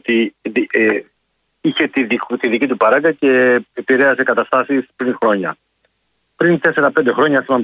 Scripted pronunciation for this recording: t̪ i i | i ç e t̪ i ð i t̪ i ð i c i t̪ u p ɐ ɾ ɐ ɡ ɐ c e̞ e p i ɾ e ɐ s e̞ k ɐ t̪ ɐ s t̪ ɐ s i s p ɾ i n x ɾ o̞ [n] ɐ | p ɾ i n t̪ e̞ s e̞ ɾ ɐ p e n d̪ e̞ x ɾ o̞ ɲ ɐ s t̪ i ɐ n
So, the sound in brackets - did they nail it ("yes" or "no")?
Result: no